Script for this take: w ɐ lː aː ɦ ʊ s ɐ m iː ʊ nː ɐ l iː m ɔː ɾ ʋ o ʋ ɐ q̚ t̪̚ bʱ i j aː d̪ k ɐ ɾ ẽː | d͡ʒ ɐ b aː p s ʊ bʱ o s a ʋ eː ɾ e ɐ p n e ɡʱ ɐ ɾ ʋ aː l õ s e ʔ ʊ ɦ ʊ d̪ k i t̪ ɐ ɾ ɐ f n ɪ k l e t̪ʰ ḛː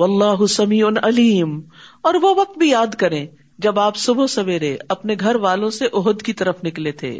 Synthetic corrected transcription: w ɐ lː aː ɦ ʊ s ɐ m iː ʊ n ɐ l iː m ɔː ɾ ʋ o ʋ ɐ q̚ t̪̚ bʱ i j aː d̪ k ɐ ɾ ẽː | d͡ʒ ɐ b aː p s ʊ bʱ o s ɐ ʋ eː ɾ e ɐ p n e ɡʱ ɐ ɾ ʋ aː l õ s e ʔ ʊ ɦ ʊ d̪ k i t̪ ɐ ɾ ə f n ɪ k l e t̪ʰ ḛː